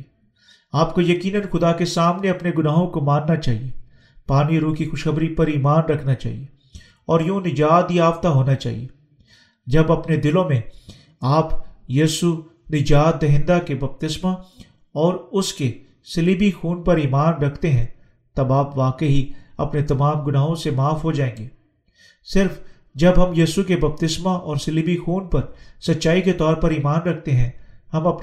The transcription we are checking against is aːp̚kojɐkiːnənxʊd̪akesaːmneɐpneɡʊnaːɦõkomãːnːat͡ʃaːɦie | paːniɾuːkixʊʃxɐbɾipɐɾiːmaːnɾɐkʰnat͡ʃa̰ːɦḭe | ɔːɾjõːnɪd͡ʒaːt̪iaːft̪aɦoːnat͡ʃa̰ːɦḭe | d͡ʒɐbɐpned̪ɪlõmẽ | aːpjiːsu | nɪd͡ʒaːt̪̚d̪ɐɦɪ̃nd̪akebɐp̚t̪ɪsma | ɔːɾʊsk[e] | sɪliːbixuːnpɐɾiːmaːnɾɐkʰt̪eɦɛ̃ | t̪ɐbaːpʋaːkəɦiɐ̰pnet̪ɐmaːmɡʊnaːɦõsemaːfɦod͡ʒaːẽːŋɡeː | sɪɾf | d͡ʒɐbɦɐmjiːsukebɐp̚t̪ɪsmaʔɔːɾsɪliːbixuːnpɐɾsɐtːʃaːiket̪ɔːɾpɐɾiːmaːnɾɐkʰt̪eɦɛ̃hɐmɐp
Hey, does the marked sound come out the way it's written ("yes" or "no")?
yes